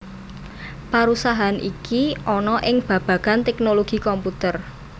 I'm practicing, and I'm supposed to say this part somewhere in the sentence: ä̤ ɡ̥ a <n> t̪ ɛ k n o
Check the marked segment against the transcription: correct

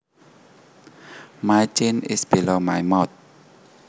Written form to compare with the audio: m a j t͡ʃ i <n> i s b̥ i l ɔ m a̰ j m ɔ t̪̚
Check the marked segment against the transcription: correct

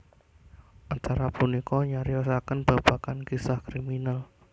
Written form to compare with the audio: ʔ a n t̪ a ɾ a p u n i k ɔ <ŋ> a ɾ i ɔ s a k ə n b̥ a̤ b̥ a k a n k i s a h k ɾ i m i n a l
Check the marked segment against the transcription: incorrect: ɲ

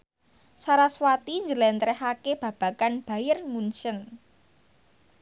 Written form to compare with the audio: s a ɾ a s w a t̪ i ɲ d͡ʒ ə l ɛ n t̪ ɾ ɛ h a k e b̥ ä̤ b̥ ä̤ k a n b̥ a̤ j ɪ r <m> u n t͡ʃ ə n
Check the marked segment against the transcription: correct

